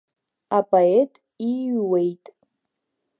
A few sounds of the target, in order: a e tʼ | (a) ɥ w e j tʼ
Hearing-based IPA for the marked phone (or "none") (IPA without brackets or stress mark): i